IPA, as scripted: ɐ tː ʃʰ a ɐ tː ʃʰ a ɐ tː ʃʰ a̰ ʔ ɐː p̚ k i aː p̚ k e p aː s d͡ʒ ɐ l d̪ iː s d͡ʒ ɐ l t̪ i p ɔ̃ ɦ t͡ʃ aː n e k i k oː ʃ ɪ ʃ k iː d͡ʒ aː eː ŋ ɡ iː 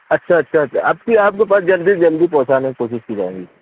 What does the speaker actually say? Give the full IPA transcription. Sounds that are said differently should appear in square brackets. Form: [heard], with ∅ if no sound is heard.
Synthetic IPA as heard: ɐ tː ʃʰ a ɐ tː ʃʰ a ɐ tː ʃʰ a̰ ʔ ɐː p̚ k i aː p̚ k e p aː s d͡ʒ ɐ l d̪ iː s d͡ʒ ɐ l [d̪] i p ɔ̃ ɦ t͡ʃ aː n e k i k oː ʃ ɪ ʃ k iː d͡ʒ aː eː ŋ ɡ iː